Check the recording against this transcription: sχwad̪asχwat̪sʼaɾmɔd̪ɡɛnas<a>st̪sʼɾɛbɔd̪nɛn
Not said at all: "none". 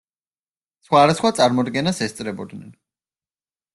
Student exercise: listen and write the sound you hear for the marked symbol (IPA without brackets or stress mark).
ɛ